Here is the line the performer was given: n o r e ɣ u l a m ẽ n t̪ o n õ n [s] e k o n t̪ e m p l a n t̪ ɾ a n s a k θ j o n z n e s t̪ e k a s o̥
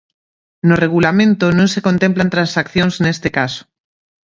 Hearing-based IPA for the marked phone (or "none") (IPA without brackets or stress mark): s